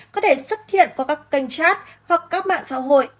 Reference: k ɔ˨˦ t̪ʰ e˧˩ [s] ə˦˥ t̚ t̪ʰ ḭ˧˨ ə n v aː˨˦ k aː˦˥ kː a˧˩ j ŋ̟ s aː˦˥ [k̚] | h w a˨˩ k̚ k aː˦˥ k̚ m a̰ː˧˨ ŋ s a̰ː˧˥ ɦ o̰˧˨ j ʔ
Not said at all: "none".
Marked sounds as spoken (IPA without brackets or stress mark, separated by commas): s, t̚